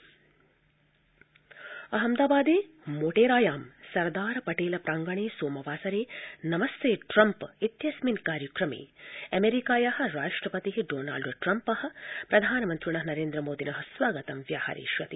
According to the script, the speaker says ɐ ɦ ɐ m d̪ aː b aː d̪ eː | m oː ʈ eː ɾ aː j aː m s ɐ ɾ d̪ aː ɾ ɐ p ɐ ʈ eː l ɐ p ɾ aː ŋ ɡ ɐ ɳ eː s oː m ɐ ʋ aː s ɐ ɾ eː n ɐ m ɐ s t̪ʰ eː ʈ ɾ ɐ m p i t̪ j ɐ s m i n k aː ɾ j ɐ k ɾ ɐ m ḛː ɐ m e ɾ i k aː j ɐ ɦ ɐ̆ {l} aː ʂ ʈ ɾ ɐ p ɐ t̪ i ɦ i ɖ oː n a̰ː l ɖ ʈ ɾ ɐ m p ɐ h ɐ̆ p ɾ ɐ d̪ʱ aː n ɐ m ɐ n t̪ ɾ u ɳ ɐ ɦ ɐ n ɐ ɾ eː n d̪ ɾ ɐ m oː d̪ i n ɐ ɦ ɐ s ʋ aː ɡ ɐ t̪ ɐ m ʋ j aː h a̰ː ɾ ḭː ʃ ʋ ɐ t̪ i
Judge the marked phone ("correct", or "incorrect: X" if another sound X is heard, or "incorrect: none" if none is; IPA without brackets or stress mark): incorrect: ɾ